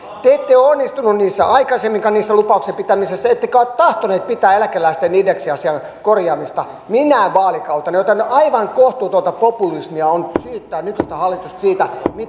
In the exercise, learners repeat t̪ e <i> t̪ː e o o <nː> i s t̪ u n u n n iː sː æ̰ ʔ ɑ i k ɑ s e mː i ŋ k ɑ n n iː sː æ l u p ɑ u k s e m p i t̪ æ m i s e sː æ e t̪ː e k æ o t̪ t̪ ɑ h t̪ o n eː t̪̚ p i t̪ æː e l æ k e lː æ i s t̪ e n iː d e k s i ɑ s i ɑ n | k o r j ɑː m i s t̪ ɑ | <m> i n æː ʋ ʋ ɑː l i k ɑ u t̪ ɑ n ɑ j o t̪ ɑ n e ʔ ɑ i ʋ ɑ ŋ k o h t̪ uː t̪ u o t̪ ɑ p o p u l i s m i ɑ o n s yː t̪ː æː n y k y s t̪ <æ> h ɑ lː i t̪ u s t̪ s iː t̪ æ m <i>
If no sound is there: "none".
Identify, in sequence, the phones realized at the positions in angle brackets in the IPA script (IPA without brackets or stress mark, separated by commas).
e, nː, m, æ, i